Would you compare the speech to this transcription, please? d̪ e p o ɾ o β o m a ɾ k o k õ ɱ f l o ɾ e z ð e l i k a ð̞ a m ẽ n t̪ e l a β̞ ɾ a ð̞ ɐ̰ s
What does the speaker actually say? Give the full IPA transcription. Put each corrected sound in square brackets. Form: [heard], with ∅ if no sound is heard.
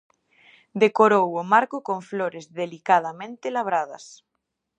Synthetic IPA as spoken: d̪ e [k] o ɾ o [w] o m a ɾ k o k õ ɱ f l o ɾ e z ð e l i k a ð̞ a m ẽ n t̪ e l a β̞ ɾ a ð̞ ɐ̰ s